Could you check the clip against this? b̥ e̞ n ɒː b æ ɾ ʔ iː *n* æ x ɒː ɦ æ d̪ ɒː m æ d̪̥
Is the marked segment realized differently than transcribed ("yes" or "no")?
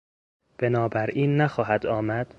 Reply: yes